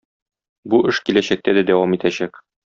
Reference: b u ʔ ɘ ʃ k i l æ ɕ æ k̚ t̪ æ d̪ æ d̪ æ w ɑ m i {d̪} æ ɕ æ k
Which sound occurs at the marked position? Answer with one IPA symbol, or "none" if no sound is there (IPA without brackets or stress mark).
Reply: t̪